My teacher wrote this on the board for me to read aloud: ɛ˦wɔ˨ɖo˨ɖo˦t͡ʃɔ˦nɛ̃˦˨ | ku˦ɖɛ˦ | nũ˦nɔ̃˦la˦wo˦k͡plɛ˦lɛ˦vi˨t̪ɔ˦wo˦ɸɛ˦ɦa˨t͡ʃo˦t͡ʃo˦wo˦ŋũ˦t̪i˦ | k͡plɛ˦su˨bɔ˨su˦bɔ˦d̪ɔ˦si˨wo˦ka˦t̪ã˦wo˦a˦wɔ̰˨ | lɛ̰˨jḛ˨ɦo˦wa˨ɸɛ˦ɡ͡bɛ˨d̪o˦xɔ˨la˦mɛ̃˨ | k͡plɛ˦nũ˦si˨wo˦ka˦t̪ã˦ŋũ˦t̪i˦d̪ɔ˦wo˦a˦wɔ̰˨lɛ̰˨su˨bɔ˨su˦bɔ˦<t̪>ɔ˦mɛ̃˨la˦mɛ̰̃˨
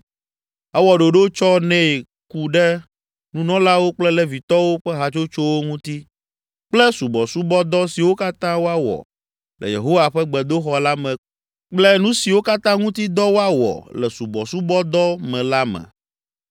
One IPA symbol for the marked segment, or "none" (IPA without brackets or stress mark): d̪